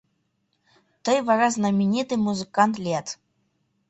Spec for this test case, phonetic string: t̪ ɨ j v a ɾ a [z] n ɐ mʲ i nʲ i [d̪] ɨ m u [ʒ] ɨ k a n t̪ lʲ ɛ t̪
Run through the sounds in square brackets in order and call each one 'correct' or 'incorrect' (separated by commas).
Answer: correct, incorrect, incorrect